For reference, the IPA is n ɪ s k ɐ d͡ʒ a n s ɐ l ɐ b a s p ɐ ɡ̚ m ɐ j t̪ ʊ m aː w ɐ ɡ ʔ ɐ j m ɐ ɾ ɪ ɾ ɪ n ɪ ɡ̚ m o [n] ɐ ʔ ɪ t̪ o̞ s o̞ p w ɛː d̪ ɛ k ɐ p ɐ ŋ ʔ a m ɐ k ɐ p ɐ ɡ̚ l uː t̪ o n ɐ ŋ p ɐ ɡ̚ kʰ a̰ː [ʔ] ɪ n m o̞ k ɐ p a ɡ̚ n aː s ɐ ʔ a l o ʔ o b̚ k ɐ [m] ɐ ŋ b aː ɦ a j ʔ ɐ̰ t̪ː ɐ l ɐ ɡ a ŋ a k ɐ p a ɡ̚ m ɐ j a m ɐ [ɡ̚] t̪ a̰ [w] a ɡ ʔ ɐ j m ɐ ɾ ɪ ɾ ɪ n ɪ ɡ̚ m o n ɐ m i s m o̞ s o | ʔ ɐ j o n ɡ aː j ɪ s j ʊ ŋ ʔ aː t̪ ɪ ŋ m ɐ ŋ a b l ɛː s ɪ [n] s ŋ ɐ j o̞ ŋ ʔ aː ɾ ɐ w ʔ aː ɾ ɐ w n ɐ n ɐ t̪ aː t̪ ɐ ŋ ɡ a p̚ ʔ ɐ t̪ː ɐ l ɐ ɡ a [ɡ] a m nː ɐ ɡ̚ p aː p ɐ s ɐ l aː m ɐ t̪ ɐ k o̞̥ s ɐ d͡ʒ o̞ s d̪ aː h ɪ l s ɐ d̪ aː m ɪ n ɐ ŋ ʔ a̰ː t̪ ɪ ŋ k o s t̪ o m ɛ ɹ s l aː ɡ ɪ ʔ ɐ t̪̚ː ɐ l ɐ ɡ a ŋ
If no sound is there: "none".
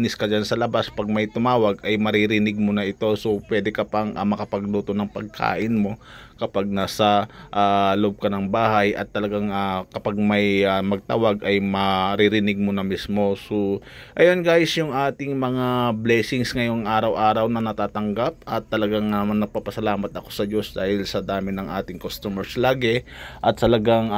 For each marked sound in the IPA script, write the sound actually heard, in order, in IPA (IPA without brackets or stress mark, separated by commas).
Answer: n, ʔ, n, ɡ̚, w, ŋ, ŋ